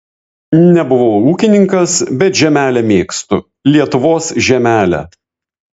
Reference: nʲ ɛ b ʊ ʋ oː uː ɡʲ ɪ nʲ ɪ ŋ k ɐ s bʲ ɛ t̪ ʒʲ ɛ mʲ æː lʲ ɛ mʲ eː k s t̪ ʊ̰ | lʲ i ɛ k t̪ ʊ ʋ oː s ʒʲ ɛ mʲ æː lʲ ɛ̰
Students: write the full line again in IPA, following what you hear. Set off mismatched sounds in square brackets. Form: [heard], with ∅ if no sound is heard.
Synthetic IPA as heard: nʲ ɛ b ʊ ʋ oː uː [kʲ] ɪ nʲ ɪ ŋ k ɐ s bʲ ɛ t̪ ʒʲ ɛ mʲ æː lʲ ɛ mʲ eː k s t̪ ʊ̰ | lʲ i ɛ [∅] t̪ ʊ ʋ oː s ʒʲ ɛ mʲ æː lʲ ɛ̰